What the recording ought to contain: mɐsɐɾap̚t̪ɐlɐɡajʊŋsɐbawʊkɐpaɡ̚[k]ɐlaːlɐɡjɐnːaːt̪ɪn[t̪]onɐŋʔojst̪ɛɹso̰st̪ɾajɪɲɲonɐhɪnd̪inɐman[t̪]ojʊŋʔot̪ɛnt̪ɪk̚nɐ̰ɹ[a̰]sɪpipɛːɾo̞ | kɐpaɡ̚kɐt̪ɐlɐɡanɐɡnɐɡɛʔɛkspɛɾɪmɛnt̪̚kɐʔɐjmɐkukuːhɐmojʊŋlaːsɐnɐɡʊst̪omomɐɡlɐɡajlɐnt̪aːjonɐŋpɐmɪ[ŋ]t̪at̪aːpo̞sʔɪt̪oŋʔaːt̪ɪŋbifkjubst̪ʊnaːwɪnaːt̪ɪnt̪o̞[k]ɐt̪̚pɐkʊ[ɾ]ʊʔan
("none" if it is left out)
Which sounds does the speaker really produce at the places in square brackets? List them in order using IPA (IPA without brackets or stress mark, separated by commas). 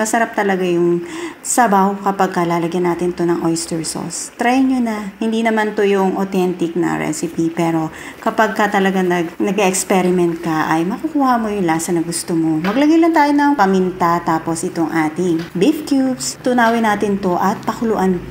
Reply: k, t̪, t̪, ɛ̰, n, ʔ, l